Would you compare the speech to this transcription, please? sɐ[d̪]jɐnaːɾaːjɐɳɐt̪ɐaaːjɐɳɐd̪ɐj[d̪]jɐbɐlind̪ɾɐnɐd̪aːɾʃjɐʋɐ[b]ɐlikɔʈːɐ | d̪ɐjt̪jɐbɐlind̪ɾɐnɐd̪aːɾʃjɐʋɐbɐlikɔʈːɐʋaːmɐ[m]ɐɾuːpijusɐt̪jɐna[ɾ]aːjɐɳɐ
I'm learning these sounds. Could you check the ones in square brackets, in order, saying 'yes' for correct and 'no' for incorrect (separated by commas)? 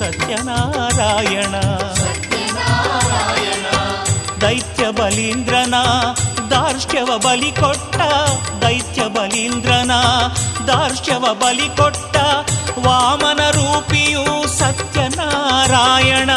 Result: no, no, yes, no, yes